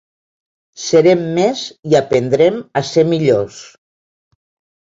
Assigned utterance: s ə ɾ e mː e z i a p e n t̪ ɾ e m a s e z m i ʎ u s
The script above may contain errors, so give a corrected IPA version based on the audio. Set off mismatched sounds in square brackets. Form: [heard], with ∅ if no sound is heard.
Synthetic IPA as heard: s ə ɾ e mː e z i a p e n [d̪] ɾ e m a s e [∅] m i ʎ [o] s